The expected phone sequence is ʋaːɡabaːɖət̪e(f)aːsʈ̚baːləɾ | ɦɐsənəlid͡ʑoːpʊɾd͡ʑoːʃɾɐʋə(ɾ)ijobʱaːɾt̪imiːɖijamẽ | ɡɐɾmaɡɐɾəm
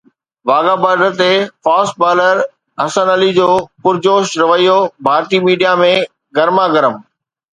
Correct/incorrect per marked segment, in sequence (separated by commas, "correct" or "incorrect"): correct, incorrect